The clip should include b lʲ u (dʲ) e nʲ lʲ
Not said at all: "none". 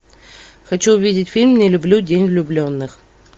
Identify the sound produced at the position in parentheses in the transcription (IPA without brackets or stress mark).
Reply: dʲ